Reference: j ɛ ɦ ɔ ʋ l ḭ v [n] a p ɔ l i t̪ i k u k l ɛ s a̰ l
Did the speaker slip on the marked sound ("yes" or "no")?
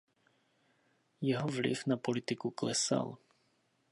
no